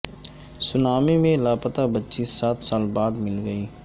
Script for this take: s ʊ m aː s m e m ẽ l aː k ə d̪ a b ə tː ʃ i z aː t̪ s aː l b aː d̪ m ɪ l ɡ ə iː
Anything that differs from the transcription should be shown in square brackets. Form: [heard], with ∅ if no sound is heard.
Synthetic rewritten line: s ʊ [n] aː [∅] m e m ẽ l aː [p] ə [t̪] a b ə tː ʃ i [s] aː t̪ s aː l b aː d̪ m ɪ l ɡ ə iː